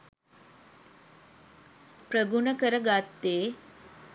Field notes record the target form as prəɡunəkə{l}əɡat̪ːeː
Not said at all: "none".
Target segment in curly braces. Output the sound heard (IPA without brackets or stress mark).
ɾ